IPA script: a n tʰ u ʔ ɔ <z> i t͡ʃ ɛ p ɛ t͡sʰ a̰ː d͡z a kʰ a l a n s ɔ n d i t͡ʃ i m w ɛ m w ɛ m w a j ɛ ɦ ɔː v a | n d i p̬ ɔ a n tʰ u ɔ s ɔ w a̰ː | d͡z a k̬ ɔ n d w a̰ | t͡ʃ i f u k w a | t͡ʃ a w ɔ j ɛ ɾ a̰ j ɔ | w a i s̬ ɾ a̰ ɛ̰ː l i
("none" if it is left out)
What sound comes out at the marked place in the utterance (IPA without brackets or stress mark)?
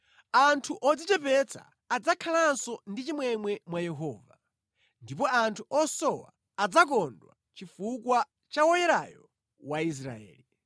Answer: d͡z